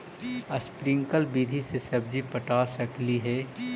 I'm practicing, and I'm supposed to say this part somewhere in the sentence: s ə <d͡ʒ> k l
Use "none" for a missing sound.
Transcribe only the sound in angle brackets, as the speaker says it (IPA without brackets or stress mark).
none